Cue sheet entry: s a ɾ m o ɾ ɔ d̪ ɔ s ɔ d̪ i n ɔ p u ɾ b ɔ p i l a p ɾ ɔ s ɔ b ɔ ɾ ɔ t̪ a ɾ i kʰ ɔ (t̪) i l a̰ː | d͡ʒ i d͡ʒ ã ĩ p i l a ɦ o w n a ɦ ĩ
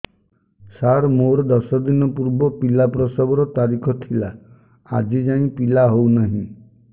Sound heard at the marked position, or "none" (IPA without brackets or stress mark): t̪ʰ